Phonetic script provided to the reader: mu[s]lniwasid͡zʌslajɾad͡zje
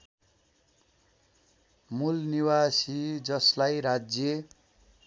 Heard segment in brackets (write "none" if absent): none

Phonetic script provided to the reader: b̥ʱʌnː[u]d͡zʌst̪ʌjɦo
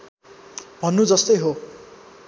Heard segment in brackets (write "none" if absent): u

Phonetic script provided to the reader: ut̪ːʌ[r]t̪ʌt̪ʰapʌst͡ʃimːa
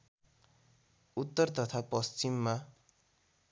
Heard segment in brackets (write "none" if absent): r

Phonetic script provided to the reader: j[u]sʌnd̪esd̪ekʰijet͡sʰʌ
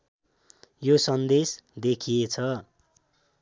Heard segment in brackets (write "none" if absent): o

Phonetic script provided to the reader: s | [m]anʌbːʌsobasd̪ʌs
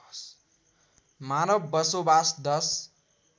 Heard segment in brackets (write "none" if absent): m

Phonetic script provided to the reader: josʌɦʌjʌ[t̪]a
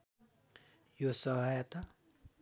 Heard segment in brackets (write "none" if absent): t̪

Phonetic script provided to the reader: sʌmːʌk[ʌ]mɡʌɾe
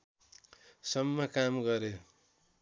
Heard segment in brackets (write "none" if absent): a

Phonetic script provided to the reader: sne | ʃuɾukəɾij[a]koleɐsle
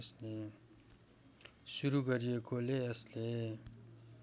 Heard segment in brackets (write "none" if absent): e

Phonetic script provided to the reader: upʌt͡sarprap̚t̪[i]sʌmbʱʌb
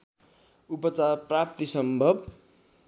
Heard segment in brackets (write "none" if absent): i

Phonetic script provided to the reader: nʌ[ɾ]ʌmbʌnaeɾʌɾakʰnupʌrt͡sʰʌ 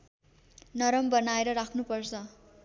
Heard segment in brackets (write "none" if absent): ɾ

